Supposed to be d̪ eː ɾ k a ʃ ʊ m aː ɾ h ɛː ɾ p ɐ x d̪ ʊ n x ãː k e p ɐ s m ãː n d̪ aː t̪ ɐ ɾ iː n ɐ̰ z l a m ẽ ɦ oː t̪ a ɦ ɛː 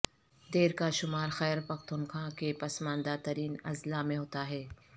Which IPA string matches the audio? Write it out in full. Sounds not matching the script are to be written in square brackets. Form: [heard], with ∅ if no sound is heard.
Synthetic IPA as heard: d̪ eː ɾ k a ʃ ʊ m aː ɾ [x] ɛː ɾ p ɐ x [t̪] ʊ n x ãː k e p ɐ s m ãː n d̪ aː t̪ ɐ ɾ iː n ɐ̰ z l a m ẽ ɦ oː t̪ a ɦ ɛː